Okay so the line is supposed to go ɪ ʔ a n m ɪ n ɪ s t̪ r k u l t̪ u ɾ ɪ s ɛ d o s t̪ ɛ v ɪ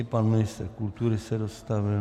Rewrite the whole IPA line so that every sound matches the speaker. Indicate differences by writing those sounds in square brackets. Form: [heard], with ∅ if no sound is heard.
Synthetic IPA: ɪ [p] a n m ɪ n ɪ s t̪ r k u l t̪ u ɾ ɪ s ɛ d o s t̪ [a] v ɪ